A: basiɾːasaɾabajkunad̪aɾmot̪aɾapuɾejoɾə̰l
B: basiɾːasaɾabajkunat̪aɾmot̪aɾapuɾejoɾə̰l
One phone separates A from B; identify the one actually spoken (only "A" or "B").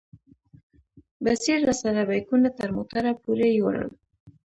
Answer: B